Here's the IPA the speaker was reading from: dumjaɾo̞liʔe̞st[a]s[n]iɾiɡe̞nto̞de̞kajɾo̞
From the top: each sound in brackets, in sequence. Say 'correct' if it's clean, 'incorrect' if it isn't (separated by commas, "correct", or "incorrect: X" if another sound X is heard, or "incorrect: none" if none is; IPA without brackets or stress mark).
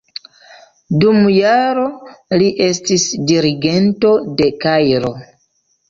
incorrect: i, incorrect: d